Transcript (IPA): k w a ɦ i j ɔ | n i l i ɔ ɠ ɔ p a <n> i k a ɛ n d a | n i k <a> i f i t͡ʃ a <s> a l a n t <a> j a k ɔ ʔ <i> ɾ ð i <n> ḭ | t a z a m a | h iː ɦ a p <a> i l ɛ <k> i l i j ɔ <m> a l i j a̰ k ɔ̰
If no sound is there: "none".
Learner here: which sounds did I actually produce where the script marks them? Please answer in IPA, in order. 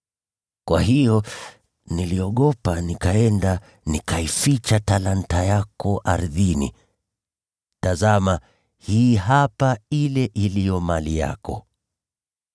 n, a, t, a, a, n, a, ʔ, m

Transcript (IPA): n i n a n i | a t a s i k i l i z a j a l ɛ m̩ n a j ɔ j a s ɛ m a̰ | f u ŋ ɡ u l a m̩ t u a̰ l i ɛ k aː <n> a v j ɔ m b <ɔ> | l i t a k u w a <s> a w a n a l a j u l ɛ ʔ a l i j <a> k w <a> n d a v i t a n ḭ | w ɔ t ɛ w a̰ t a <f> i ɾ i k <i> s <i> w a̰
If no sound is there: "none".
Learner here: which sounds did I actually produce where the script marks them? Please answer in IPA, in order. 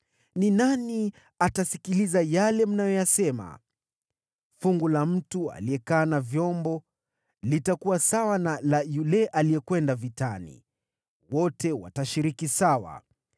n, ɔ, s, ɛ, ɛ, ʃ, i, a

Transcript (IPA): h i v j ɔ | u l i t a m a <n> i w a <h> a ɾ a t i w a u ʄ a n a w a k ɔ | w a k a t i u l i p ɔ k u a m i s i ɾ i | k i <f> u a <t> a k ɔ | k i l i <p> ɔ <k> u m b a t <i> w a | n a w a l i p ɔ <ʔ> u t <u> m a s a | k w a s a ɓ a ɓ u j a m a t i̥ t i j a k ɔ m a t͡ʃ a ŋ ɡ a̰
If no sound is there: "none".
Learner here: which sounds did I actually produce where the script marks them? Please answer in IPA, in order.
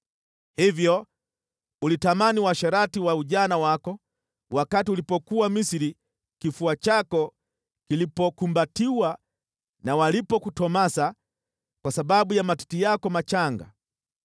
n, ʃ, f, t͡ʃ, p, k, i, k, ɔ

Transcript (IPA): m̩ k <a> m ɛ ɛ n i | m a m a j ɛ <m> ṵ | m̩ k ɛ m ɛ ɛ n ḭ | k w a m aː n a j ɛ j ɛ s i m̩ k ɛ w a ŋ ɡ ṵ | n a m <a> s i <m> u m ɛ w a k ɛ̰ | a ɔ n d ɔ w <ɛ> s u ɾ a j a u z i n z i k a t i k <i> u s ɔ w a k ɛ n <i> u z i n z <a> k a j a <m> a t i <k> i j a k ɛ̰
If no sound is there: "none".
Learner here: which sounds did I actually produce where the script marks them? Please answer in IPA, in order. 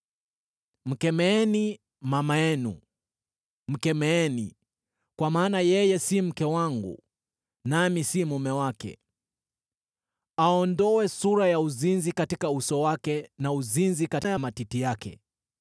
ɛ, n, i, m, ɛ, a, a, i, m, t

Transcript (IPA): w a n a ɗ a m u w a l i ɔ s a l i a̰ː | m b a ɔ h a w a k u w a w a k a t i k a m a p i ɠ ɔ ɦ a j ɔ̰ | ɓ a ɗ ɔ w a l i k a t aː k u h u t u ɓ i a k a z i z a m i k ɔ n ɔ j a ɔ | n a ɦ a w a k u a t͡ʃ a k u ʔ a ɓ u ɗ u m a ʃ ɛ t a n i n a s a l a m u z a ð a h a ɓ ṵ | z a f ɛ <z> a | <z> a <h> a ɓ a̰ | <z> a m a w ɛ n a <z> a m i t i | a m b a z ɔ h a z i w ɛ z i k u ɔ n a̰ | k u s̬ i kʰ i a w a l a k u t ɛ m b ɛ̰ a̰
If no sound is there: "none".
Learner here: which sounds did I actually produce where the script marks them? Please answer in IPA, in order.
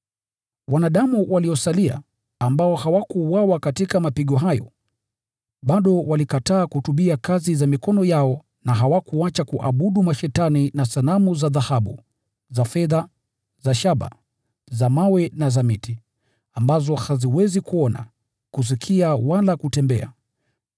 ð, z, ʃ, z, z

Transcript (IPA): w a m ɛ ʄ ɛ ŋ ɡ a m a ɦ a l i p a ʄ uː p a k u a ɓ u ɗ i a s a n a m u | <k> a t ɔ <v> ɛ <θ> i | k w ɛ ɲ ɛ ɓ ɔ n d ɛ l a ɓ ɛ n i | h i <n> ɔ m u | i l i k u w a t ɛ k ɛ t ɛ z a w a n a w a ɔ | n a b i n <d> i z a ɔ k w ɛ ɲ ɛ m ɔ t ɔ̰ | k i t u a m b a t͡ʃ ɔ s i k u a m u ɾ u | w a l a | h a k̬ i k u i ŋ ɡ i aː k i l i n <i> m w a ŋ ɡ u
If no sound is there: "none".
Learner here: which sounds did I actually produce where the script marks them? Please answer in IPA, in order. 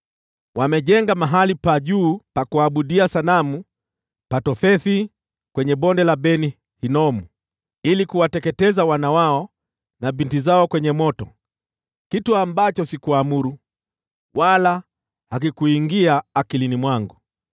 p, f, θ, n, t, i

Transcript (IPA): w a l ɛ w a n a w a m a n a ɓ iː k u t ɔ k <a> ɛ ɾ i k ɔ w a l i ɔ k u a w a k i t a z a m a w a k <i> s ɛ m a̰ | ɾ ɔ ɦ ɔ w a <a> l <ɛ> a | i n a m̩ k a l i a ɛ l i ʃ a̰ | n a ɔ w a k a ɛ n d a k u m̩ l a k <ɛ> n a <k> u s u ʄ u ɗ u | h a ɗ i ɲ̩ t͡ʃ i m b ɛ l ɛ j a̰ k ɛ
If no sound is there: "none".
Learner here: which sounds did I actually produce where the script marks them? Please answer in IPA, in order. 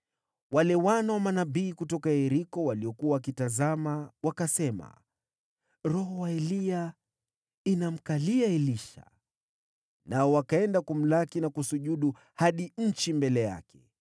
a, a, ɛ, i, i, k

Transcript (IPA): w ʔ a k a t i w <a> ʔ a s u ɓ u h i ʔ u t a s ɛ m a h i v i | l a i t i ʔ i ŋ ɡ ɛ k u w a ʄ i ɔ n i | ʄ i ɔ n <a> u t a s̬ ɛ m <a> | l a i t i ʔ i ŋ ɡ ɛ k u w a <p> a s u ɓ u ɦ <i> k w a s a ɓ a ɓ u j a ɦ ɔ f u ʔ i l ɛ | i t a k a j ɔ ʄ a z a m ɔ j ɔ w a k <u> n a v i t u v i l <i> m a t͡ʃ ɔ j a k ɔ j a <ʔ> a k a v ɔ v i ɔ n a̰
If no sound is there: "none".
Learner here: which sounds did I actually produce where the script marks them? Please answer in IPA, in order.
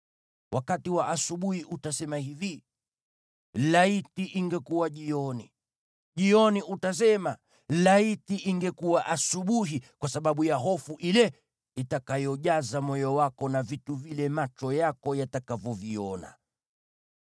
a, i, a, ʔ, i, ɔ, ɛ, t

